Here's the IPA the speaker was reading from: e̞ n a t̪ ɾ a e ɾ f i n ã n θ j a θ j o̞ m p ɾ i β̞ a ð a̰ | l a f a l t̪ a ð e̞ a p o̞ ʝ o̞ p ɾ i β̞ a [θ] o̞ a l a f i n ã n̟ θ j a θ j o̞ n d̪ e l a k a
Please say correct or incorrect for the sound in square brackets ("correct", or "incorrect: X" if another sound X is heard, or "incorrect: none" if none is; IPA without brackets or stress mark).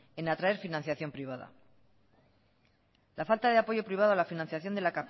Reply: incorrect: ð